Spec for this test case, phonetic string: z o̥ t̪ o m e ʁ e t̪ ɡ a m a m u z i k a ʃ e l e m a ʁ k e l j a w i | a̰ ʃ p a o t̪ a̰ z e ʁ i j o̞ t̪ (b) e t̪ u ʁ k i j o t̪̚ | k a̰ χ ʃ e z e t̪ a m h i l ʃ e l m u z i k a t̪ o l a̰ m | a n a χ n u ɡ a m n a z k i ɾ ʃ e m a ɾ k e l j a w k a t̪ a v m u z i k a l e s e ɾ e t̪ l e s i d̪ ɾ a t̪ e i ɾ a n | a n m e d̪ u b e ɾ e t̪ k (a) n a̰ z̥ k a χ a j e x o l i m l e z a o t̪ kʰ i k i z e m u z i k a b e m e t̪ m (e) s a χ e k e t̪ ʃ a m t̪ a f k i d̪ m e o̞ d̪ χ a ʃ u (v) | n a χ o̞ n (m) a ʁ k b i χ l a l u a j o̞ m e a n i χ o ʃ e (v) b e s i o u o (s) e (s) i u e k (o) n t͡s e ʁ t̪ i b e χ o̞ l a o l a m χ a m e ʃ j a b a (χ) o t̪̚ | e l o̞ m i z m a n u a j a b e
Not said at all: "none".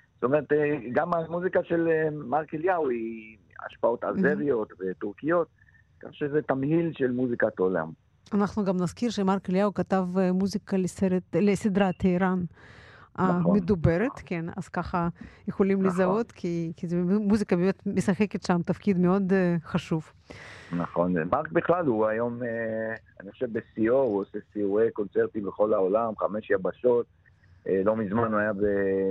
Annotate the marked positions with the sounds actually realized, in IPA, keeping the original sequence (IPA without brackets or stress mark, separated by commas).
v, e, e, v, m, v, s, s, o, ʃ